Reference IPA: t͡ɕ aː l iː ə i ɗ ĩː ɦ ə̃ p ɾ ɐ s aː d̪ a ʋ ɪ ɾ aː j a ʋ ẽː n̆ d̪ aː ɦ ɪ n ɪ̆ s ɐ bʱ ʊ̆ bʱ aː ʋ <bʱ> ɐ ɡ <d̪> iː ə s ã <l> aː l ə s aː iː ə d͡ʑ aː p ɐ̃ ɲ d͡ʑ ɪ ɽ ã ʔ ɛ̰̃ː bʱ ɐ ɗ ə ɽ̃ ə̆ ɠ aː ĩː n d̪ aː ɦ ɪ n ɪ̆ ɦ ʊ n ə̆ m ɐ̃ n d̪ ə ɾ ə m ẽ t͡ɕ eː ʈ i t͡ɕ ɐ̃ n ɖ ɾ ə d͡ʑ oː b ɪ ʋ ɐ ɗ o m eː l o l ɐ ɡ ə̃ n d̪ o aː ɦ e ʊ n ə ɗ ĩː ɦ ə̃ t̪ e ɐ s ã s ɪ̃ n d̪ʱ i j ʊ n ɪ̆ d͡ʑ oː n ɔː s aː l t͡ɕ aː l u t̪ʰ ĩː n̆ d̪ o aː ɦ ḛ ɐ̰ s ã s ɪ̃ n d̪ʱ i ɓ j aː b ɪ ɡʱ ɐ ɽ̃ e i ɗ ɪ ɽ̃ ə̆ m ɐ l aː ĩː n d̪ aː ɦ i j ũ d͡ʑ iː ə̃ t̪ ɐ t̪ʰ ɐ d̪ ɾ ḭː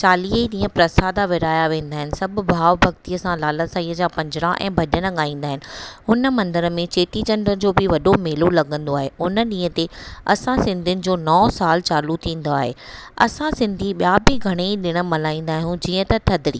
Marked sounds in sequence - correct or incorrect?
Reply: correct, incorrect: t̪, correct

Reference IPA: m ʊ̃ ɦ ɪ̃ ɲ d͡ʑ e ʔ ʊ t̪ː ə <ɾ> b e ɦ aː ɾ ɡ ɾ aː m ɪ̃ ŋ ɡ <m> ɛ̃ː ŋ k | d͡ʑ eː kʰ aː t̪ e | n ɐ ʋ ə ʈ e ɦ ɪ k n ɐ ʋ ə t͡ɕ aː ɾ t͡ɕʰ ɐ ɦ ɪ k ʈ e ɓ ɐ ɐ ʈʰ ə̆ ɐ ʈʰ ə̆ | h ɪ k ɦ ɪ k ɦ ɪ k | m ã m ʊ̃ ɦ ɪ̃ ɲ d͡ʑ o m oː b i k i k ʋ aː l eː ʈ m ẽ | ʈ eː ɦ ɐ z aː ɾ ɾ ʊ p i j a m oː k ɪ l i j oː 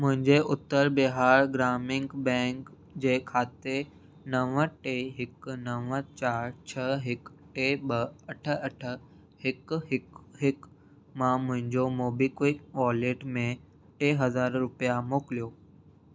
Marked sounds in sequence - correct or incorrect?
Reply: correct, incorrect: b

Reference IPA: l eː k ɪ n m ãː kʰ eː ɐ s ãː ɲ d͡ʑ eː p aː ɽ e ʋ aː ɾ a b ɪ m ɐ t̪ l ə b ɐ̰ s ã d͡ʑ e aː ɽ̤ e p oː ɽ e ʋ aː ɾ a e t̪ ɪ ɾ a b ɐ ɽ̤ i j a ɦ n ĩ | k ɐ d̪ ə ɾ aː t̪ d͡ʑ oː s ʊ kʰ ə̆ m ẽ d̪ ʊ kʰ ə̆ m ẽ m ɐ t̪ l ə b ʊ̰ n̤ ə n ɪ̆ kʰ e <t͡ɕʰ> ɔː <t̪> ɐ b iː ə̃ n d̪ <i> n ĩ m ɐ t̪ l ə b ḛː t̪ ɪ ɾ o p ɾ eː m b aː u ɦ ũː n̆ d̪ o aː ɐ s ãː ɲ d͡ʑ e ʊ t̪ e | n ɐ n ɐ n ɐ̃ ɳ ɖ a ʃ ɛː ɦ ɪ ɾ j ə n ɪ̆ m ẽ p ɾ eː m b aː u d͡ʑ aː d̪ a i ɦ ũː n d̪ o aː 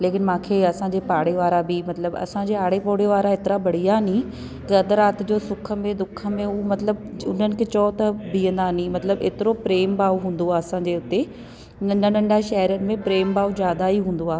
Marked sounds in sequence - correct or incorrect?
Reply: incorrect: t͡ɕ, correct, incorrect: a

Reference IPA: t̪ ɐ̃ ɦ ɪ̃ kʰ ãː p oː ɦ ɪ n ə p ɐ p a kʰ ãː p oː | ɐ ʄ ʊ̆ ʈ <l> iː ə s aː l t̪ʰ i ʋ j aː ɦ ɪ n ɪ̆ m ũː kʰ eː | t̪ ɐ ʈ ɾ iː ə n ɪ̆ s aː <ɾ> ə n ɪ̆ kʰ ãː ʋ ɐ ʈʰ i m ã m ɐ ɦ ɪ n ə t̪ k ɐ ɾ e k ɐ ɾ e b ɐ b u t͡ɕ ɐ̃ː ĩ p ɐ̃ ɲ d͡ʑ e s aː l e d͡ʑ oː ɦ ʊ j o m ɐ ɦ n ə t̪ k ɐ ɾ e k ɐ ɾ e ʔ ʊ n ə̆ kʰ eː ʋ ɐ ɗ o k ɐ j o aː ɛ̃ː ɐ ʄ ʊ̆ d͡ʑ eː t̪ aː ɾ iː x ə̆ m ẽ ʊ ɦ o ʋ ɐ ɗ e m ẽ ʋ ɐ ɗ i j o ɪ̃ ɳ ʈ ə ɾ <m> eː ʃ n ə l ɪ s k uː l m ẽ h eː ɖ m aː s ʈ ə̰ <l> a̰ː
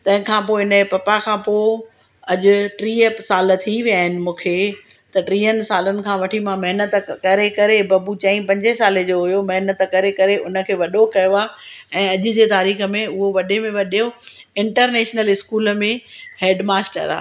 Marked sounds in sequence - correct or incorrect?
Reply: incorrect: ɾ, incorrect: l, incorrect: n, incorrect: ɾ

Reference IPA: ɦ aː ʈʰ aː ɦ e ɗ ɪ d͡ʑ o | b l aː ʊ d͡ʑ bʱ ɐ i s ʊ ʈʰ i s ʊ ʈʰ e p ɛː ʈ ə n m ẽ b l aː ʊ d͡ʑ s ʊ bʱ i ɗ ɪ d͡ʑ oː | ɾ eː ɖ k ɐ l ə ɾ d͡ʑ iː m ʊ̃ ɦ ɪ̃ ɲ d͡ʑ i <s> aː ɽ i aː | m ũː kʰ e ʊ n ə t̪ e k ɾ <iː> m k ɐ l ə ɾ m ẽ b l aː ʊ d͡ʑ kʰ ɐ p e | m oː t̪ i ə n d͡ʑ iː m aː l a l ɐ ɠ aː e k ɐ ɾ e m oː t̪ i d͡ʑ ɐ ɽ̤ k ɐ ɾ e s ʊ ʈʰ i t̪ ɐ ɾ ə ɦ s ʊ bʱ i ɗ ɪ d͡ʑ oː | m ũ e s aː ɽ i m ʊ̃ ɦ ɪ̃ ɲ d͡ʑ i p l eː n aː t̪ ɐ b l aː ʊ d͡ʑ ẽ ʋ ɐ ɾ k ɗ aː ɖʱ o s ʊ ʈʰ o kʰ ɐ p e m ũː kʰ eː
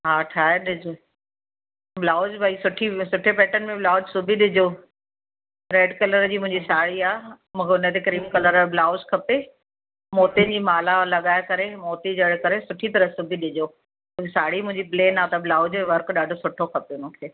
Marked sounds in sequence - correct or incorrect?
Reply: correct, correct

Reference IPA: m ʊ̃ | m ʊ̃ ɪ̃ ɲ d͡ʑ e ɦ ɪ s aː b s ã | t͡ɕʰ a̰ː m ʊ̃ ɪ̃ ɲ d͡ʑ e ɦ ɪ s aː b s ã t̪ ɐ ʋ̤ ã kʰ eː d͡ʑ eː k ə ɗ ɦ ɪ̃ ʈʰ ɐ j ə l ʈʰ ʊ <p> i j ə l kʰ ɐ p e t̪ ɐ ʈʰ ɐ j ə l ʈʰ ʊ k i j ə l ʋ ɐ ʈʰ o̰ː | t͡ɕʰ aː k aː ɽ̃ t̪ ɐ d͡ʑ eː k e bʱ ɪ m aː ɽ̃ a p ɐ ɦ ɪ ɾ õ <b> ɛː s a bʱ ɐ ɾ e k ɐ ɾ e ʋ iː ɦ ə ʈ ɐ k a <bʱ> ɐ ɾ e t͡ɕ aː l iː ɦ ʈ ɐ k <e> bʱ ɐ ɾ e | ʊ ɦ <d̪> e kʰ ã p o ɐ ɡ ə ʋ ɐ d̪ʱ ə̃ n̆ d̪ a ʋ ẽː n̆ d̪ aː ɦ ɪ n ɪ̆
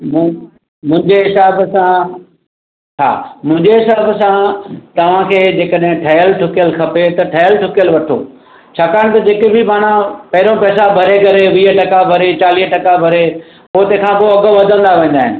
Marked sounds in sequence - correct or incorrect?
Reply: incorrect: k, incorrect: p, correct, incorrect: a, incorrect: t̪

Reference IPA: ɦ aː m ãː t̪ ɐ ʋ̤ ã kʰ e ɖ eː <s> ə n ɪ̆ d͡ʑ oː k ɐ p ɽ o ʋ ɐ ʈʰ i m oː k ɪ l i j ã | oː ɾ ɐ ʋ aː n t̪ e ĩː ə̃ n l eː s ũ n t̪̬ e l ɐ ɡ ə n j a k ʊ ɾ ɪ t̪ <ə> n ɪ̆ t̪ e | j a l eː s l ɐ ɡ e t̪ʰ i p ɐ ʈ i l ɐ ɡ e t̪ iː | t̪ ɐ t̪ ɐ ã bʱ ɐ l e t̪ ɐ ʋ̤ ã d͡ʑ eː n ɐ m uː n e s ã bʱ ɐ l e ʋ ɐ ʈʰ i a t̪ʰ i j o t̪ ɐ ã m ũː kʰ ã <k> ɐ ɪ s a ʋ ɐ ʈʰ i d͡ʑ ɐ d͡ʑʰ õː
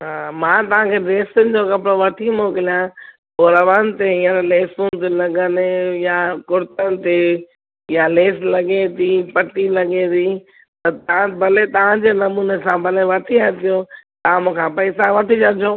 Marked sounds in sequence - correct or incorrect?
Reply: correct, correct, incorrect: p

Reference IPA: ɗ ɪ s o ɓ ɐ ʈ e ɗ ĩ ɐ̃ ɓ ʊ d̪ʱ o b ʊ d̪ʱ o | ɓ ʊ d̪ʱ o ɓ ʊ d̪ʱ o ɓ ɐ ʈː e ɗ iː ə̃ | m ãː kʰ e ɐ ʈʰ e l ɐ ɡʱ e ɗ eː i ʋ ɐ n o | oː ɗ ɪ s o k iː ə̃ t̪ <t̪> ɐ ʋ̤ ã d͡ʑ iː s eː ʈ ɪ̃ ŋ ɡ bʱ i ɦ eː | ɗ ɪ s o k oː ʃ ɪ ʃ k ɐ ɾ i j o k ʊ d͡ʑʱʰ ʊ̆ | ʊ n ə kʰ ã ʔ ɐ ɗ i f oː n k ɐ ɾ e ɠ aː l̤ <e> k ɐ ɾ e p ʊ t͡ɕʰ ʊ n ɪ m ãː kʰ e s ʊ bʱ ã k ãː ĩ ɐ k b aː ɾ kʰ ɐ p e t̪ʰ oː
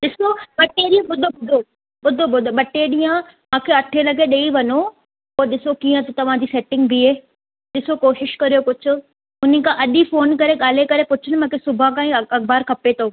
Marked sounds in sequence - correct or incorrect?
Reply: correct, correct

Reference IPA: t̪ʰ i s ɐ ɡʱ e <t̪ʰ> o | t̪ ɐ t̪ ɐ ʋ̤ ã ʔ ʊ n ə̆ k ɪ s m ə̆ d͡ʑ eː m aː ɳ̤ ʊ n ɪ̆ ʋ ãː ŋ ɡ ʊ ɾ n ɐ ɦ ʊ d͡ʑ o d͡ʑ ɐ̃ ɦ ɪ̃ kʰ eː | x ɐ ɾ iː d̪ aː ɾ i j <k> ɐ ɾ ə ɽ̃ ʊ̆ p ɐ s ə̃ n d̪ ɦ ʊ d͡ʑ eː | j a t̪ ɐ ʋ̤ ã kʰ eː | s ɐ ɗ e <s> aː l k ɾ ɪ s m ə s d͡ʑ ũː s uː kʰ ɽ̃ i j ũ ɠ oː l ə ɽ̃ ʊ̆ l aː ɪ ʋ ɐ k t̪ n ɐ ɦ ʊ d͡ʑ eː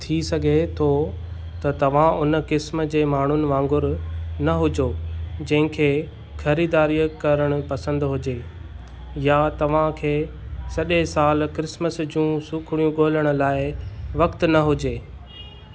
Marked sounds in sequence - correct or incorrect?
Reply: correct, correct, correct

